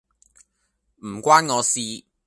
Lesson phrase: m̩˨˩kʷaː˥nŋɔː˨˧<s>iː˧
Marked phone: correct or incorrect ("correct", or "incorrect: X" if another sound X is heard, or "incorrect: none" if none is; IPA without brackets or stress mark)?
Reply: correct